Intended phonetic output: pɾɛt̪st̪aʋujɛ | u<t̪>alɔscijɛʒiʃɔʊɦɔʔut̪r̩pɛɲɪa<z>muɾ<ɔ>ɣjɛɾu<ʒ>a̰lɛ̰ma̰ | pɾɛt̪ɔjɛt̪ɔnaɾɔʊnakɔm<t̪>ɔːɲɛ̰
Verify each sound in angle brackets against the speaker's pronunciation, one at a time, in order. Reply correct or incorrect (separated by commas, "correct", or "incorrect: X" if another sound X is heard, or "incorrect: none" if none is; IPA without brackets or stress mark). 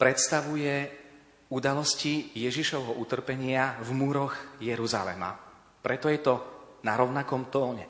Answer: incorrect: d̪, incorrect: v, correct, incorrect: z, correct